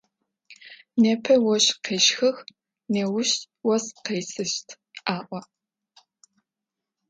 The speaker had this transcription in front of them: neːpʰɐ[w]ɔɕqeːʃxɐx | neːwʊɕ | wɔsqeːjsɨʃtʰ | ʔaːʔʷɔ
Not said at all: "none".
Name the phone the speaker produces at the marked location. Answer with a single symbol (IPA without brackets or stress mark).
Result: w